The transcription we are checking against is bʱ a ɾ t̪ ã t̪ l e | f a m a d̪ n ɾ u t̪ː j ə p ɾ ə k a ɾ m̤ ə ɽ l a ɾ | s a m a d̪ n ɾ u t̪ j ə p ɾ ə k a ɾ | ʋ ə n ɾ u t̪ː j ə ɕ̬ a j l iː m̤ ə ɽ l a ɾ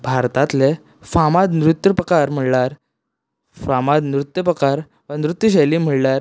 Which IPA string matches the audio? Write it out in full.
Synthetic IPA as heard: bʱ a ɾ t̪ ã t̪ l e | f a m a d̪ n ɾ u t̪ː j ə p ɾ ə k a ɾ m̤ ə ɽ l a ɾ | f a m a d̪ n ɾ u t̪ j ə p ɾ ə k a ɾ | ʋ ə n ɾ u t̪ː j ə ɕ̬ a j l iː m̤ ə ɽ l a ɾ